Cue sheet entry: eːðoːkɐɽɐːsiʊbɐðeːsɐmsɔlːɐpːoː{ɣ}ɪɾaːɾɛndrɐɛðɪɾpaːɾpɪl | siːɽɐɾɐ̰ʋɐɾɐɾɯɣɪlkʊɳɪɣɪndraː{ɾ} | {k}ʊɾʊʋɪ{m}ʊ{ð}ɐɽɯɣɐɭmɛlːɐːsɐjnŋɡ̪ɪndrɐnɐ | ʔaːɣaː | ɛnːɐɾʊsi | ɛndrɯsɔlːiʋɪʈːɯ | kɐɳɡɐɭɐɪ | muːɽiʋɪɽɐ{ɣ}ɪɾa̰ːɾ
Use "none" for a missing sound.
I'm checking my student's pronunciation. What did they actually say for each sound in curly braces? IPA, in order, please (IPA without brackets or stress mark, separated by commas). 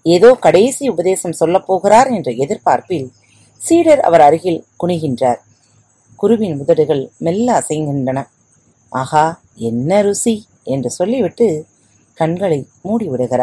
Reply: ɣ, ɾ, k, n, ð, ɣ